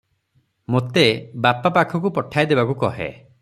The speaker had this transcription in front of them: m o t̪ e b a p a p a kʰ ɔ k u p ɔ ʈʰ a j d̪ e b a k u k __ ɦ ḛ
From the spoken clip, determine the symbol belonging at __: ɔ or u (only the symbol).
ɔ